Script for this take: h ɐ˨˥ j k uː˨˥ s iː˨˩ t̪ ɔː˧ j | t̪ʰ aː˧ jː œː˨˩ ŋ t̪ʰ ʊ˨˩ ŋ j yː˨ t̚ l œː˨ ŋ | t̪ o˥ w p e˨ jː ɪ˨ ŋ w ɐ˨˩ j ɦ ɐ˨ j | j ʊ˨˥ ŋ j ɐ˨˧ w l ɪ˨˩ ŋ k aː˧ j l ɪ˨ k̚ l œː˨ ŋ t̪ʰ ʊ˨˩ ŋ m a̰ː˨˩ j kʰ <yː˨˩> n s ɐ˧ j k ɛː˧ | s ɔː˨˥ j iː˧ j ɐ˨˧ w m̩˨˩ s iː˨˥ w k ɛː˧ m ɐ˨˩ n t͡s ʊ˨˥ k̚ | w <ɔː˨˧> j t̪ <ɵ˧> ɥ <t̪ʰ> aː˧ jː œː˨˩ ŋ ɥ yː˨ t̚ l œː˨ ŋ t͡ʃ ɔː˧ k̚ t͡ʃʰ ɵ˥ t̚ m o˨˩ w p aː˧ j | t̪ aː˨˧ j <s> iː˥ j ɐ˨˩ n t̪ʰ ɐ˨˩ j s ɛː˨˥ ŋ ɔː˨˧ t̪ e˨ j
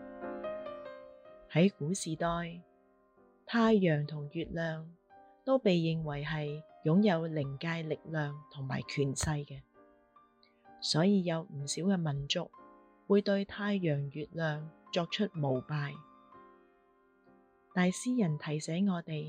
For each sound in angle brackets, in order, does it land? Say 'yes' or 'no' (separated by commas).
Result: yes, no, yes, yes, yes